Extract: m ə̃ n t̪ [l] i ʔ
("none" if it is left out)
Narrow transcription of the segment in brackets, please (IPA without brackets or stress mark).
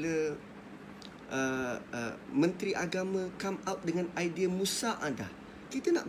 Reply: ɾ